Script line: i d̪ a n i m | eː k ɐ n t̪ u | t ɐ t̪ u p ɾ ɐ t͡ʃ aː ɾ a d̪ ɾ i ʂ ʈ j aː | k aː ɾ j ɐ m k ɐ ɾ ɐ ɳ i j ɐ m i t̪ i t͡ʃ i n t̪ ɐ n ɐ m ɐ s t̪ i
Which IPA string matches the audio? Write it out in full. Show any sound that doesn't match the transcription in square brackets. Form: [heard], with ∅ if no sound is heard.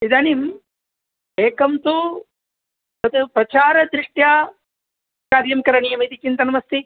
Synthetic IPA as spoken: i d̪ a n i m | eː k ɐ [m] t̪ u | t ɐ t̪ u p ɾ ɐ t͡ʃ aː ɾ [ɐ] d̪ ɾ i ʂ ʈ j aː | k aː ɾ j ɐ m k ɐ ɾ ɐ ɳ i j ɐ m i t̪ i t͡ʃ i n t̪ ɐ n ɐ m ɐ s t̪ i